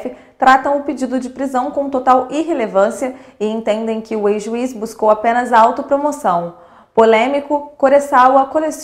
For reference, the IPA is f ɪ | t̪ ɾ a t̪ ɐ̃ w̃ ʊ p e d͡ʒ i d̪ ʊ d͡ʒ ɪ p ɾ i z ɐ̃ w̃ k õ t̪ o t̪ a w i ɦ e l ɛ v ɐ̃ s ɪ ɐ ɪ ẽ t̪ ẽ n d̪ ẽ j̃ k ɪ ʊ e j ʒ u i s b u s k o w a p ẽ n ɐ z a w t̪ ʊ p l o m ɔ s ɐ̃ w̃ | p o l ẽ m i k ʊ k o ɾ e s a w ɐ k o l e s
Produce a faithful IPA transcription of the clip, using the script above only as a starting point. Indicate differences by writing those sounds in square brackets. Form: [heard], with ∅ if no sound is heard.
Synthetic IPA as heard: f ɪ | t̪ ɾ a t̪ ɐ̃ w̃ ʊ p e d͡ʒ i d̪ ʊ d͡ʒ ɪ p ɾ i z ɐ̃ w̃ k õ t̪ o t̪ a w i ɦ e l [e] v ɐ̃ s [i] ɐ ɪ ẽ t̪ ẽ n d̪ ẽ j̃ k ɪ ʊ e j ʒ u i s b u s k o w a p ẽ n ɐ z a w t̪ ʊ p [ɾ] o m [o] s ɐ̃ w̃ | p o l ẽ m i k ʊ k o ɾ e s a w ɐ k o l e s